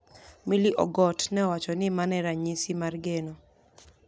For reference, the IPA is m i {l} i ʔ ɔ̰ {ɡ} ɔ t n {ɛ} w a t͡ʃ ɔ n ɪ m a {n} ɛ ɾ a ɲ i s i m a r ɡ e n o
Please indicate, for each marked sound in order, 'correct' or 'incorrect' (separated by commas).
correct, correct, correct, correct